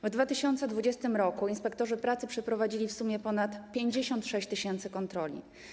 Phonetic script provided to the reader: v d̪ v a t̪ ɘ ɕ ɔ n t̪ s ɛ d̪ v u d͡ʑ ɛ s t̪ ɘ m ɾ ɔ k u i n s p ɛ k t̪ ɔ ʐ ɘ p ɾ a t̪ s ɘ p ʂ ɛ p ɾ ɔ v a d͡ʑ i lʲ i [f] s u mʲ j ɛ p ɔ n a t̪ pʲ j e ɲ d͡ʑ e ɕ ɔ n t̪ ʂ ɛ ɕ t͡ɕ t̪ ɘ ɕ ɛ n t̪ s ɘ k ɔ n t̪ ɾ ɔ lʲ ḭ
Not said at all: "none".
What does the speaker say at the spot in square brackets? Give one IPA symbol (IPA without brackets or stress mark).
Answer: f